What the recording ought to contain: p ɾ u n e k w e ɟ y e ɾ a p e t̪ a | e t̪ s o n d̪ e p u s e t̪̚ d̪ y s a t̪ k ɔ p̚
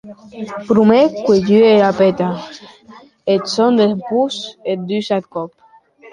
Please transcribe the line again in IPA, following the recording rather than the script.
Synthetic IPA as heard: p ɾ u m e k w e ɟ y e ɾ a p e t̪ a | e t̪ s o n d̪ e p u s e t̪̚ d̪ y s a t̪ k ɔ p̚